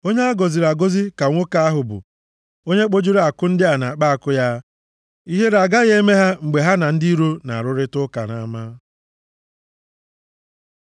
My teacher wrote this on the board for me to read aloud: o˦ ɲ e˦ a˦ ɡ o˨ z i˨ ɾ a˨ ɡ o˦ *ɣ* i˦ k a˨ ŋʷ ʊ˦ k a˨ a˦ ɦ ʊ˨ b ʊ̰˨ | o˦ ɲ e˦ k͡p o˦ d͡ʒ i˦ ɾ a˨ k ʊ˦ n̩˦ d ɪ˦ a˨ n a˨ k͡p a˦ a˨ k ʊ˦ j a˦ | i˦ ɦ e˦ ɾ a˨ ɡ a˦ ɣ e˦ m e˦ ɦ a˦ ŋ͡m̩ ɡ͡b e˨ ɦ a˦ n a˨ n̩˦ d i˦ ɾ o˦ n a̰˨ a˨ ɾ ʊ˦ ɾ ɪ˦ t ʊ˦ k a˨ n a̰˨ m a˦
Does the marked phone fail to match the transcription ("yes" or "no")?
yes